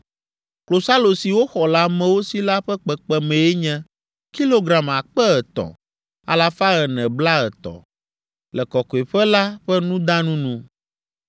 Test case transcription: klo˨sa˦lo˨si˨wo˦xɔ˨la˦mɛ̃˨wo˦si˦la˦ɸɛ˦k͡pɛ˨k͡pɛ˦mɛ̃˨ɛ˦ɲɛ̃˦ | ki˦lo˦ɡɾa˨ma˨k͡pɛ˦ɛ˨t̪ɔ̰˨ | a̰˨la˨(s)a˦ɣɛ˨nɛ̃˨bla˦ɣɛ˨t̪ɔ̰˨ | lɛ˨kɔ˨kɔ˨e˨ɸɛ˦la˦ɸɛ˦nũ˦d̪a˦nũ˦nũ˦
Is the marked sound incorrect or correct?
incorrect: f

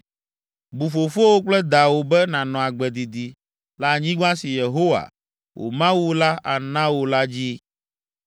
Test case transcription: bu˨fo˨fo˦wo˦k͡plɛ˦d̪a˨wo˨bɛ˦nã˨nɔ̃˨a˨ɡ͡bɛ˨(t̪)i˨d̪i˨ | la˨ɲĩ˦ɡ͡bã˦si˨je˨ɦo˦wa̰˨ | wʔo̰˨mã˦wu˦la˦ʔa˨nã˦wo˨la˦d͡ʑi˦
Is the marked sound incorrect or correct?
incorrect: d̪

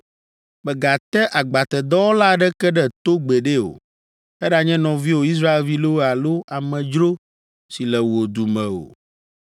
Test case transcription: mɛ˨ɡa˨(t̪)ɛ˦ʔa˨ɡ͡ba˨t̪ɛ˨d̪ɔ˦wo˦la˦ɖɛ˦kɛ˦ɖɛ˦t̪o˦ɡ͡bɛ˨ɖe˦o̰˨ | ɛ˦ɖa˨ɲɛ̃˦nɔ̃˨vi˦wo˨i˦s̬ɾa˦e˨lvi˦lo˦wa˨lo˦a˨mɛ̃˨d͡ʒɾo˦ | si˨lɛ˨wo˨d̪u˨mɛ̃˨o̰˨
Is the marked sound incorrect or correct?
correct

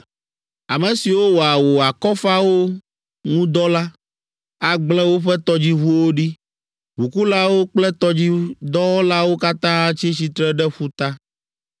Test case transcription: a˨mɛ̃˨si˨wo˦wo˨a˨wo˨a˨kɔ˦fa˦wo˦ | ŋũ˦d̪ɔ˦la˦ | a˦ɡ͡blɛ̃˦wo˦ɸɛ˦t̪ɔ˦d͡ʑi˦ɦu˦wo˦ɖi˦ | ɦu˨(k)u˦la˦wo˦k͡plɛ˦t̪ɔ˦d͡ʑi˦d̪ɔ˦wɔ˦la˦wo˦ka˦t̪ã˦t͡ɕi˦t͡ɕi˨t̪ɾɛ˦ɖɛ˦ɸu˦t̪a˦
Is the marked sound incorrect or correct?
correct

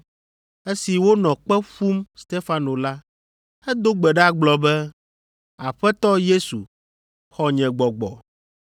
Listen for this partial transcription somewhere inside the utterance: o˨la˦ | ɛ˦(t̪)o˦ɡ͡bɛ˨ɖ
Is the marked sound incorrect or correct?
incorrect: d̪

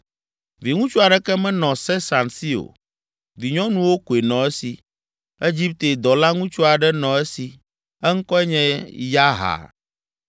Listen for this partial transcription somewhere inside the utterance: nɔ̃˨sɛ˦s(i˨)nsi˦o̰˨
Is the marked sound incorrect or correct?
incorrect: a˨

